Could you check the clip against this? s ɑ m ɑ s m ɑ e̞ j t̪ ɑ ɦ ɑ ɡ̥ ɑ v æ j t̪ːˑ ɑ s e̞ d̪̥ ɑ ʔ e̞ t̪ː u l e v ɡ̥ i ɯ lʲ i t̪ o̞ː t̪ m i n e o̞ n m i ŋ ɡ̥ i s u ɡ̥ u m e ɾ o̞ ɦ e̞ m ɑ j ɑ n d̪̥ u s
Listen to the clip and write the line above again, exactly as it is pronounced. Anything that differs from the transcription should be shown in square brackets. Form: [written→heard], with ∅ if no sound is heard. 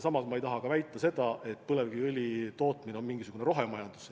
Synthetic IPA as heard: s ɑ m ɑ s m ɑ e̞ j t̪ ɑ ɦ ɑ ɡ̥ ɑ v æ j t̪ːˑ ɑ s e̞ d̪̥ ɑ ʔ e̞ t̪ː u l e v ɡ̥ i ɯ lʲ i t̪ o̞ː t̪ m i n e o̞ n m i ŋ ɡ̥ i s u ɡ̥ u [m→n] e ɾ o̞ ɦ e̞ m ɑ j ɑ n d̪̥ u s

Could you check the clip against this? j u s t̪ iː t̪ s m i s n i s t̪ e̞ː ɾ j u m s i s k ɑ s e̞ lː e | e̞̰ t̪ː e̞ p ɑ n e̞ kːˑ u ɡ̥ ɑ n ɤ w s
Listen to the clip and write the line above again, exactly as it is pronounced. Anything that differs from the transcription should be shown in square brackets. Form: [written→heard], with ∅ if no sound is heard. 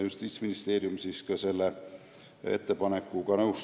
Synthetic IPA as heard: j u s t̪ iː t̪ s m i [s→∅] n i s t̪ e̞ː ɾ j u m s i s k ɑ s e̞ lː e | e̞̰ t̪ː e̞ p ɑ n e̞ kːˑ u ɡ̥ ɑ n ɤ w s

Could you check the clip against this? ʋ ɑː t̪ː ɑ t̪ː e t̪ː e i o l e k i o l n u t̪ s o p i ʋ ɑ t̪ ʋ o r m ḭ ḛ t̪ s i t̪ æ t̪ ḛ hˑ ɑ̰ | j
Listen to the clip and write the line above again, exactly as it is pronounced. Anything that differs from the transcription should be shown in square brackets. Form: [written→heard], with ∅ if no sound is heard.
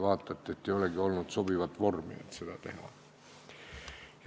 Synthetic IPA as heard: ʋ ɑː t̪ː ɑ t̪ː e t̪ː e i o l e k i o l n u t̪ s o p i ʋ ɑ t̪ ʋ o r m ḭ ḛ t̪ s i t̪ æ t̪ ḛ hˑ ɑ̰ | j

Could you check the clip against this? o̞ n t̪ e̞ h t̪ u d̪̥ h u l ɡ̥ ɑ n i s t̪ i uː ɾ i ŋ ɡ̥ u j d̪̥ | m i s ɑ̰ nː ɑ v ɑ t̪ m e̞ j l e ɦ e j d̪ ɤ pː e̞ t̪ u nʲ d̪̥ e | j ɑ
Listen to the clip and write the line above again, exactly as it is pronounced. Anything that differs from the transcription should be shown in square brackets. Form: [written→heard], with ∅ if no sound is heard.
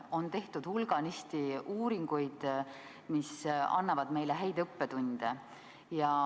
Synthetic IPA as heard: o̞ n t̪ e̞ h t̪ u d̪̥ h u l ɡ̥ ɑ n i s t̪ i uː ɾ i ŋ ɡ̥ u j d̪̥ | m i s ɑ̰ nː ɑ v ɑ [t̪→d̪] m e̞ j l e ɦ [e→æ] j d̪ ɤ pː e̞ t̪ u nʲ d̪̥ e | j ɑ

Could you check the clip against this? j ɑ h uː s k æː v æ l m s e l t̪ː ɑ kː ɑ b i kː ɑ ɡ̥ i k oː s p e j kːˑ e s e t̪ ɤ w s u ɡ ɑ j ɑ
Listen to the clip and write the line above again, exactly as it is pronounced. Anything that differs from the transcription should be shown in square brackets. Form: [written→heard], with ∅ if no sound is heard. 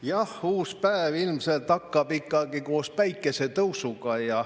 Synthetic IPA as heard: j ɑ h uː s [k→p] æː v [æ→i] l m s e l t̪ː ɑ kː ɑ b i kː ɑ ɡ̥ i k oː s p [e→æ] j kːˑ e s e t̪ ɤ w s u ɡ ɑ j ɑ

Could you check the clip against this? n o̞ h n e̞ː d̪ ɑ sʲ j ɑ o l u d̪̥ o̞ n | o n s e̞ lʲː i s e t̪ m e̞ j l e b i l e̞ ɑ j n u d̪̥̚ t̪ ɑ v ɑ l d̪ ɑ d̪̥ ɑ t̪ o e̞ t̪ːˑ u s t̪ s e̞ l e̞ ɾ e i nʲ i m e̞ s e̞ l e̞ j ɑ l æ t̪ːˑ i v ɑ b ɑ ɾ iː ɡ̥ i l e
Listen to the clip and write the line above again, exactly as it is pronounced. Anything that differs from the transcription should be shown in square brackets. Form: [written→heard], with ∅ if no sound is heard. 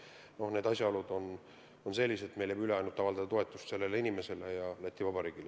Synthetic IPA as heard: n o̞ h n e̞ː d̪ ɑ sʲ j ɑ o l u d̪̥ o̞ n | o n s e̞ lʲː i s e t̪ m e̞ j l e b [i→y] l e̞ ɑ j n u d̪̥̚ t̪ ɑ v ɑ l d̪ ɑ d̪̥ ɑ t̪ o e̞ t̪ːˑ u s t̪ s e̞ [l→lː] e̞ [ɾ→l] e i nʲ i m e̞ s e̞ l e̞ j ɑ l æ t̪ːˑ i v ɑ b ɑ ɾ iː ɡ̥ i l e

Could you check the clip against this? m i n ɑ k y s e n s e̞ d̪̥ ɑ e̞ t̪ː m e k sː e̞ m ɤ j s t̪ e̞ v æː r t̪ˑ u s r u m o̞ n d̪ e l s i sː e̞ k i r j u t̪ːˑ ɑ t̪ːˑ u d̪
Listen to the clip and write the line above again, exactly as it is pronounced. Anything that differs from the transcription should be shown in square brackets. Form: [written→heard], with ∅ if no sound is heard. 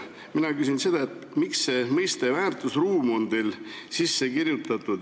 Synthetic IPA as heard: m i n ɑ k y s [e→i] n s e̞ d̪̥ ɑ e̞ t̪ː m [e→i] k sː e̞ m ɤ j s t̪ e̞ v æː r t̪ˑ u s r [u→uː] m o̞ n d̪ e l s i sː e̞ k i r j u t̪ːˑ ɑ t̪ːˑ u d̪

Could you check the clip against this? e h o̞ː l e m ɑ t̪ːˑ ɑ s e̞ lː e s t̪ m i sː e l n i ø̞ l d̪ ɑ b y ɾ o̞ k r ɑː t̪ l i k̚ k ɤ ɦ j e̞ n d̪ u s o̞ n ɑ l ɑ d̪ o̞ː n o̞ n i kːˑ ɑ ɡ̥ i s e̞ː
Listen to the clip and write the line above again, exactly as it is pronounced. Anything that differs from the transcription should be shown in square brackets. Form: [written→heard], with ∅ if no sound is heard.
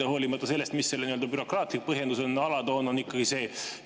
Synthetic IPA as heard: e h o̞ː l [e→i] m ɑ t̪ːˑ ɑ s e̞ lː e s t̪ m i sː e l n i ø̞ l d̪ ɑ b y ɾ o̞ k r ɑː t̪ l i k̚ [k→p] ɤ ɦ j e̞ n d̪ u s o̞ n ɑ l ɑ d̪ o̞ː n o̞ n i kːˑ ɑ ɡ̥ i s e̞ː

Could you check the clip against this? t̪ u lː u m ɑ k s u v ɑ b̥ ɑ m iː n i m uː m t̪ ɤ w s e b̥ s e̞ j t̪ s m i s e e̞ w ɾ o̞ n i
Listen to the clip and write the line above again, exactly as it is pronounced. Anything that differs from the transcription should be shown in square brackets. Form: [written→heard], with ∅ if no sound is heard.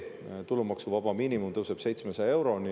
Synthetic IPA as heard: t̪ u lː u m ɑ k s u v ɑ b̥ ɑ m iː n i m [uː→u] m t̪ ɤ w s e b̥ s e̞ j t̪ s m [i→e] s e e̞ w ɾ o̞ n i

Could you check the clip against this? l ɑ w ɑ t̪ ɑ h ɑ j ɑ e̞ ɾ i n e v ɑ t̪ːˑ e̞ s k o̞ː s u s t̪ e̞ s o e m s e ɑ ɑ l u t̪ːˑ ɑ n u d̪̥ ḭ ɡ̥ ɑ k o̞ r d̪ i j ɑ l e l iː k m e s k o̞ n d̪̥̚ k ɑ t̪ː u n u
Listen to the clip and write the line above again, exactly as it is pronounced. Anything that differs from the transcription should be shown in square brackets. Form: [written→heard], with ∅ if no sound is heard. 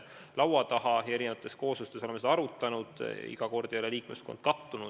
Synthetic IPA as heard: l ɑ w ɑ t̪ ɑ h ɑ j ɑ e̞ ɾ i n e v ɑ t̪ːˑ e̞ s k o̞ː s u s t̪ e̞ s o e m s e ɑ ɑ [l→ɾ] u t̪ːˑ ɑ n u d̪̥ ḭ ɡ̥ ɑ k o̞ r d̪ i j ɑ l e l iː k m e s k o̞ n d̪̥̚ k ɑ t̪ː u n u

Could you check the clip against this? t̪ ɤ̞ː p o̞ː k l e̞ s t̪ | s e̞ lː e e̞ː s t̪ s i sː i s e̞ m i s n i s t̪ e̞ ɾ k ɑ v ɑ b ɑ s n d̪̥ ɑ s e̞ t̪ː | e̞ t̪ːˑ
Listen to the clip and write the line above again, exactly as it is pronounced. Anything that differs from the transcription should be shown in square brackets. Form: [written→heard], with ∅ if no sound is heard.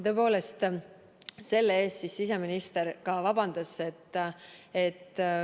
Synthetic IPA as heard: t̪ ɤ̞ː p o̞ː [k→∅] l e̞ s t̪ | s e̞ lː e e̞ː s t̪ s i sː i s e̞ m i [s→∅] n i s t̪ e̞ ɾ k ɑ v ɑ b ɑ [s→∅] n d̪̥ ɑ s e̞ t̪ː | e̞ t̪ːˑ

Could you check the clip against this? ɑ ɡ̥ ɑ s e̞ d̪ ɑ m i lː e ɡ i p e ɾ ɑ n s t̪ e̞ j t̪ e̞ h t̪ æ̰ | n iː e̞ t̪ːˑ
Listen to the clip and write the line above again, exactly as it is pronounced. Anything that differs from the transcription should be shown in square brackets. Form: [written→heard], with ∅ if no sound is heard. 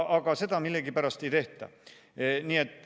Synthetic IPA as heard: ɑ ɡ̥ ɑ s e̞ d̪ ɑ m i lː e ɡ i p [e→æ] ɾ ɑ [n→∅] s t̪ e̞ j t̪ e̞ h t̪ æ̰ | n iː e̞ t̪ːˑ

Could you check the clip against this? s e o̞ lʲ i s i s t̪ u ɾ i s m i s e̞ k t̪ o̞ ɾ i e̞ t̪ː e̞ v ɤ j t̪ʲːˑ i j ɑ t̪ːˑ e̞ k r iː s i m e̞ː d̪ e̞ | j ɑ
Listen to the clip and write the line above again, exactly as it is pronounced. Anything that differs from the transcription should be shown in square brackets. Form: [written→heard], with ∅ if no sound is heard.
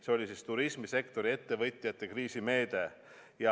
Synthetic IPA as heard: s e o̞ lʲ i s i s t̪ u ɾ i s m i s e̞ k t̪ o̞ ɾ i e̞ t̪ː e̞ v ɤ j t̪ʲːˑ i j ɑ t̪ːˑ e̞ k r iː s i m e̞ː d̪ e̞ | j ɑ

